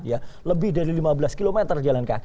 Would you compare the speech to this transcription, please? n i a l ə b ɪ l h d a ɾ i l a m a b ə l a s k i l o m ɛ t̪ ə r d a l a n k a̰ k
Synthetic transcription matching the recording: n j a l ə b ɪ h d a ɾ i l i m a b ə l a s k i l o m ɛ t̪ ə r d͡ʒ a l a n k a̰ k